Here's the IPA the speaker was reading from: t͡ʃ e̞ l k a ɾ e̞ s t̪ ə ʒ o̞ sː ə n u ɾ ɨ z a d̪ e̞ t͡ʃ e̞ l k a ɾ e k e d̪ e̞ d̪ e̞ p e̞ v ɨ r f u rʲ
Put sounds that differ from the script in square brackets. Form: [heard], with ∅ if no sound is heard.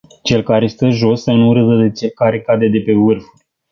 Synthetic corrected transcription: t͡ʃ e̞ l k a ɾ e̞ s t̪ ə ʒ o̞ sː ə n u ɾ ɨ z [ə] d̪ e̞ t͡ʃ e̞ l k a ɾ e k [a] d̪ e̞ d̪ e̞ p e̞ v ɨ r f u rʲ